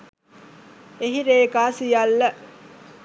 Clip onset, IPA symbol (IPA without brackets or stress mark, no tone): e